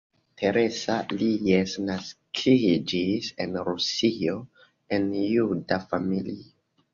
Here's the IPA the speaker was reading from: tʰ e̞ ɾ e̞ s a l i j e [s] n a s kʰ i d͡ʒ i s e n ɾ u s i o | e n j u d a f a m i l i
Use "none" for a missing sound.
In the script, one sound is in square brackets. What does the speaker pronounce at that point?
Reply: s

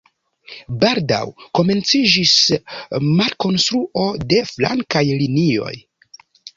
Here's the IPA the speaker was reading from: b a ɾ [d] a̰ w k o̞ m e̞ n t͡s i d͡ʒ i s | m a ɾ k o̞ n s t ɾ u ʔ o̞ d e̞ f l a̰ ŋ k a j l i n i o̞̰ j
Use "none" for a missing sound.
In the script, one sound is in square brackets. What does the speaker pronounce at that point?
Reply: d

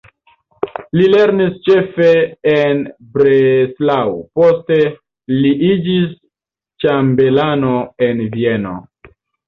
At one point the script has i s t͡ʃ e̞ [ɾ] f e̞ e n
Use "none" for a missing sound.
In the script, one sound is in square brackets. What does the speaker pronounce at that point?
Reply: none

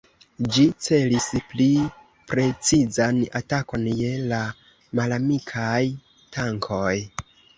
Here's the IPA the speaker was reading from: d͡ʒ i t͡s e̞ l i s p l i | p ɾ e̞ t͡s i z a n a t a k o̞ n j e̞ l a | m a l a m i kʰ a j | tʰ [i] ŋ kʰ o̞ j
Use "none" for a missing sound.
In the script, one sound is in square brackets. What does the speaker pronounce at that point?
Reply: a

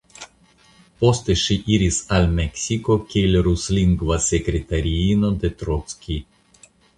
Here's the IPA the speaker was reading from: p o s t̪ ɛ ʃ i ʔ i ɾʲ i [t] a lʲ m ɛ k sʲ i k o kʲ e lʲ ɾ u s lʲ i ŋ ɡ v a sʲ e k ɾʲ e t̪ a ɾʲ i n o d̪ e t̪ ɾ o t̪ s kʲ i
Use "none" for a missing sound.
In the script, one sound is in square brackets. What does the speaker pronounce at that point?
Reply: s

